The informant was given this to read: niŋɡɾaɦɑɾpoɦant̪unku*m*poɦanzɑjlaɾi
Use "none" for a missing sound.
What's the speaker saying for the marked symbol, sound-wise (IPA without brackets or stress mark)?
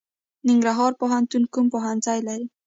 m